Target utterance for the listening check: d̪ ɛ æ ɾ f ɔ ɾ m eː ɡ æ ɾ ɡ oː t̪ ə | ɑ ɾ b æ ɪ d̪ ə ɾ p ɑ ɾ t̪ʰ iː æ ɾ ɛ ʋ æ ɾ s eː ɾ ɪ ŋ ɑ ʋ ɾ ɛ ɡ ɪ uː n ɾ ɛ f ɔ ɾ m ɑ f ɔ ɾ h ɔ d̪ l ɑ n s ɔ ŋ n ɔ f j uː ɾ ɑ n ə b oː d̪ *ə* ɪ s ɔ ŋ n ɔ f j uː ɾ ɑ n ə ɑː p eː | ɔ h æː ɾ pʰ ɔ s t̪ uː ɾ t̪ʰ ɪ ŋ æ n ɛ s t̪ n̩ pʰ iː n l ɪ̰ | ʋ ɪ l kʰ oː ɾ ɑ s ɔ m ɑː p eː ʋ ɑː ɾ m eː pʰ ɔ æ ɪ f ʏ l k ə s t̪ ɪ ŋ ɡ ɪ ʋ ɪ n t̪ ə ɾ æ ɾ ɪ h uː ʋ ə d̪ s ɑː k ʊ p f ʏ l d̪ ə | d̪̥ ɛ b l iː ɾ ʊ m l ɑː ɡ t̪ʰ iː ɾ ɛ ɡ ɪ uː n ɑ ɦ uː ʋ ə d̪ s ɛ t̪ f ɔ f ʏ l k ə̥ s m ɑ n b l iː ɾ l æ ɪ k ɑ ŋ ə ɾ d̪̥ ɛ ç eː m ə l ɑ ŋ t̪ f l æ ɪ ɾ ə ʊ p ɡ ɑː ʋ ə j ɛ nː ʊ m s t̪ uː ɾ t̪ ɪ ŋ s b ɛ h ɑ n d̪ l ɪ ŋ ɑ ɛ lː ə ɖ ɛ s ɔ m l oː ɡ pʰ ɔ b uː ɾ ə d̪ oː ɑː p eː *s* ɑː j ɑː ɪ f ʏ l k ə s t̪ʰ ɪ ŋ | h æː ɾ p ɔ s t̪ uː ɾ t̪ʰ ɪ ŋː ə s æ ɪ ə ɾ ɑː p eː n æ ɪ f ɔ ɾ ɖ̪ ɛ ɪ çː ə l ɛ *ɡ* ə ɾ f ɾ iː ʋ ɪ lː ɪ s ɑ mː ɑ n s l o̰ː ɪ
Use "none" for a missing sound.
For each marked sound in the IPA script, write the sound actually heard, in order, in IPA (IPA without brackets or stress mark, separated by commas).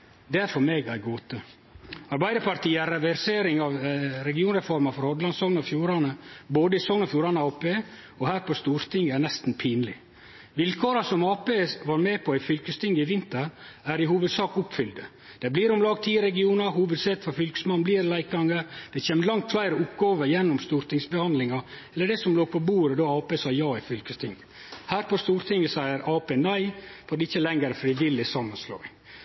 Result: ə, s, ŋ